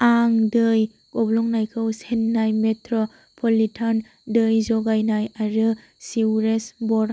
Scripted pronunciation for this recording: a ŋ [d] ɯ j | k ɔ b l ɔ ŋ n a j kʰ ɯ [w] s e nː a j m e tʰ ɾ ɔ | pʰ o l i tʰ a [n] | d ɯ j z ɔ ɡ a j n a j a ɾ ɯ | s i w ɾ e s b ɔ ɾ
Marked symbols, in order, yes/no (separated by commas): yes, yes, yes